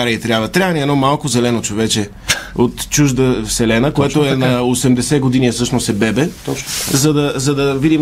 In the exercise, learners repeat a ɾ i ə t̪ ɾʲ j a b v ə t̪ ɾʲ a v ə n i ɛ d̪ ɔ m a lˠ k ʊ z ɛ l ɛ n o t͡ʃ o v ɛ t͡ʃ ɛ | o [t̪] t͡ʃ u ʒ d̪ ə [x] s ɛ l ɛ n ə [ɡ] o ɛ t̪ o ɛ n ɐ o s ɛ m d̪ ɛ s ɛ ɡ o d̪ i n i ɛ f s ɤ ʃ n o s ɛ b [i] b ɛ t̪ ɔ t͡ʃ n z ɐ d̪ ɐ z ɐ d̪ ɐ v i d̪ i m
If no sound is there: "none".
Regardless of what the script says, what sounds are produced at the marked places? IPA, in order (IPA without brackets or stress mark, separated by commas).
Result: t̪, f, k, ɛ